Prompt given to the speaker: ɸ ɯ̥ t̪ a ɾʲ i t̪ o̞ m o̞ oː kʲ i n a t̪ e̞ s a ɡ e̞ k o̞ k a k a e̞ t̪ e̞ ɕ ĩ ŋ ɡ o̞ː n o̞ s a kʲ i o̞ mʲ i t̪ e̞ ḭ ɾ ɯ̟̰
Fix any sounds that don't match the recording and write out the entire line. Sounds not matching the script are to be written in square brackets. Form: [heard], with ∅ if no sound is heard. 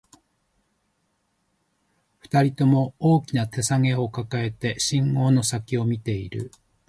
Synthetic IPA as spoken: ɸ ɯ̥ t̪ a ɾʲ i t̪ o̞ m o̞ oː kʲ i n a t̪ e̞ s a [ŋ] e̞ [∅] o̞ k a k a e̞ t̪ e̞ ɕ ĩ ŋ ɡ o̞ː n o̞ s a kʲ i o̞ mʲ i t̪ e̞ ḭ ɾ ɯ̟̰

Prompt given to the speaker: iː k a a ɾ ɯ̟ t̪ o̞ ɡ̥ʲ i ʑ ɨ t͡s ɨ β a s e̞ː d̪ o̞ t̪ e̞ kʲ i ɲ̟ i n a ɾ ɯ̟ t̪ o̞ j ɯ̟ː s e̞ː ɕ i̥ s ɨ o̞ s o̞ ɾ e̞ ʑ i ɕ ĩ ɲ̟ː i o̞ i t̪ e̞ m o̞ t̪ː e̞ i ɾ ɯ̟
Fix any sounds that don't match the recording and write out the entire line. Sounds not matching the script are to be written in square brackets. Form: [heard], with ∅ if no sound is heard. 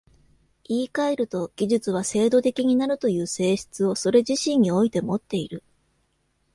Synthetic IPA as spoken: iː k a [e] ɾ ɯ̟ t̪ o̞ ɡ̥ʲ i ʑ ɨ t͡s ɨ β a s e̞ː d̪ o̞ t̪ e̞ kʲ i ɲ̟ i n a ɾ ɯ̟ t̪ o̞ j ɯ̟ː s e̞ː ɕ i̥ [t͡s] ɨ o̞ s o̞ ɾ e̞ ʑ i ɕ ĩ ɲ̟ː i o̞ i t̪ e̞ m o̞ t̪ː e̞ i ɾ ɯ̟

